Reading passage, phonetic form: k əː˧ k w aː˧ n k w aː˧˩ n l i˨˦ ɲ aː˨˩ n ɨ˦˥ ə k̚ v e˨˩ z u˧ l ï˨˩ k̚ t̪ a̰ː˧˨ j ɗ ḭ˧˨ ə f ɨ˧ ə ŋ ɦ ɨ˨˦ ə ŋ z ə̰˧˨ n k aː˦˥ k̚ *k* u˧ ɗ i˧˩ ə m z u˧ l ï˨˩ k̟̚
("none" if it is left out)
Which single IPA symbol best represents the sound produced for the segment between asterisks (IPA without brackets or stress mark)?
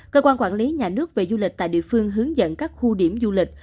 x